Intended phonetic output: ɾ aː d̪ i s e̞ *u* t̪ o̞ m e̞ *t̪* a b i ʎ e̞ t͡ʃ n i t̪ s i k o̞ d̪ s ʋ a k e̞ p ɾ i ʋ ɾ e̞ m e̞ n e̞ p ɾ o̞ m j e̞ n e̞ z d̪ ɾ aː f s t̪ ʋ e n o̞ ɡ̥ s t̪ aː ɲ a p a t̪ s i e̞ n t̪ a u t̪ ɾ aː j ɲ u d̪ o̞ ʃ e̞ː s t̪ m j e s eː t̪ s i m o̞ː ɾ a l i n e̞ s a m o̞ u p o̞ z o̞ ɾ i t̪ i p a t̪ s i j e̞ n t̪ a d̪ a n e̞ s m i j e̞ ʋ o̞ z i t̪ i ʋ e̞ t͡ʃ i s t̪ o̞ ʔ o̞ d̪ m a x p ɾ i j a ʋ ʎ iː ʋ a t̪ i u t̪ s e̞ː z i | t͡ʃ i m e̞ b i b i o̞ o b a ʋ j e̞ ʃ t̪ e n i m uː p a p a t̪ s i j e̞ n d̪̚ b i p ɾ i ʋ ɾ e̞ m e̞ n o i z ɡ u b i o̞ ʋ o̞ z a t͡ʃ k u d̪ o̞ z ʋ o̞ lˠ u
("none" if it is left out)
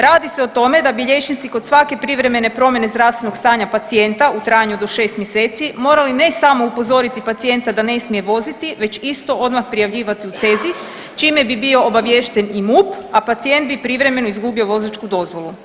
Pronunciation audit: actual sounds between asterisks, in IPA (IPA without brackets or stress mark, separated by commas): o, d̪